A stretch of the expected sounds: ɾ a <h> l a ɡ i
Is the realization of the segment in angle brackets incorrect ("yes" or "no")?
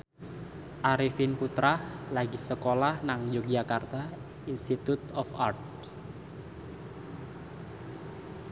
no